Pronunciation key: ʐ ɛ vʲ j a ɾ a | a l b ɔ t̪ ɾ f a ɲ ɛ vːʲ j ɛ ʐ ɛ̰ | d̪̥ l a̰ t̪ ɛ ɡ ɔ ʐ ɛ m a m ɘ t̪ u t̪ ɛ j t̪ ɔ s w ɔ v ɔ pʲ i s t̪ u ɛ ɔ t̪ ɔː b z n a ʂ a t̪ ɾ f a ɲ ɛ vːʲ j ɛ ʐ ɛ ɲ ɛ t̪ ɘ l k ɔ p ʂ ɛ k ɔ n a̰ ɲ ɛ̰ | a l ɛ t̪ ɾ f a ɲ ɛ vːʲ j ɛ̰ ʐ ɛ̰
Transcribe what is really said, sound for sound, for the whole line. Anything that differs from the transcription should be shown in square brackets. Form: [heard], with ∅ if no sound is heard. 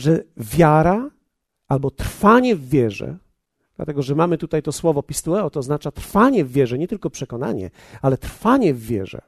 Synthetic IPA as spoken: ʐ ɛ vʲ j a ɾ a | a l b ɔ t̪ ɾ f a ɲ ɛ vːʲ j ɛ ʐ ɛ̰ | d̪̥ l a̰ t̪ ɛ ɡ ɔ ʐ ɛ m a m ɘ t̪ u t̪ [a] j t̪ ɔ s w ɔ v ɔ pʲ i s t̪ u ɛ ɔ t̪ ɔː [∅] z n a [t͡ʂ] a t̪ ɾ f a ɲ ɛ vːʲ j ɛ ʐ ɛ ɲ ɛ t̪ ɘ l k ɔ p ʂ ɛ k ɔ n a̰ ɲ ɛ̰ | a l ɛ t̪ ɾ f a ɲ ɛ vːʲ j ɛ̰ ʐ ɛ̰